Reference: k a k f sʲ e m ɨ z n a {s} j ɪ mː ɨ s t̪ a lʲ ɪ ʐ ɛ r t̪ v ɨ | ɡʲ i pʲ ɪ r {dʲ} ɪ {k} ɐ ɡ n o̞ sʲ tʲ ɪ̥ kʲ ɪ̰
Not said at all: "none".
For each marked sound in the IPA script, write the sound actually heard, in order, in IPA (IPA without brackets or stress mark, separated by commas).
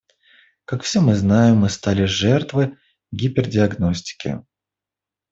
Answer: none, dʲ, none